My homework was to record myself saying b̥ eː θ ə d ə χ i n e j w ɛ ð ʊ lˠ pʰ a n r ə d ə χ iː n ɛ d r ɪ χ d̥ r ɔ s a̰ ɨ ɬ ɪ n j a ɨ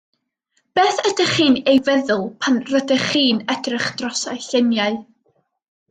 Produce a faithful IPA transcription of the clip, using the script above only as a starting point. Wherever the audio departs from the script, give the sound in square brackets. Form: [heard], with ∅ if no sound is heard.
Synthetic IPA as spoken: b̥ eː θ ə d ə χ [iː] n e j [v] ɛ ð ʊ lˠ pʰ a n r ə d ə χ iː n ɛ d r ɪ χ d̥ r ɔ s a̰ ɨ ɬ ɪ n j a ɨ